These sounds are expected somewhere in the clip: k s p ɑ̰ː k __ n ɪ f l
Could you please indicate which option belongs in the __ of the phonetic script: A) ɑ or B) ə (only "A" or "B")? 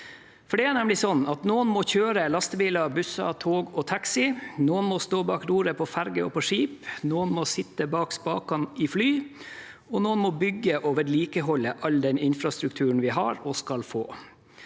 A